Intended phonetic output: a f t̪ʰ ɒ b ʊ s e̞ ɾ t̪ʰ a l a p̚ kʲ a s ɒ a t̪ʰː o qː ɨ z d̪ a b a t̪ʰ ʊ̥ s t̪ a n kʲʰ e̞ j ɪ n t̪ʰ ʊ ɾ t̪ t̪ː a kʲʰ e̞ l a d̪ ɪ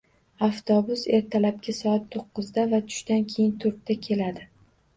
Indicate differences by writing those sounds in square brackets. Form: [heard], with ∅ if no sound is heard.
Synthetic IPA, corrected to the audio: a f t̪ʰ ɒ b ʊ s e̞ ɾ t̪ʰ a l a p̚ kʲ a s ɒ a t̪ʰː o qː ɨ z d̪ a [v] a t̪ʰ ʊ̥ [ʃ] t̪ a n kʲʰ e̞ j ɪ n t̪ʰ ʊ ɾ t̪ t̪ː a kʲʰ e̞ l a d̪ ɪ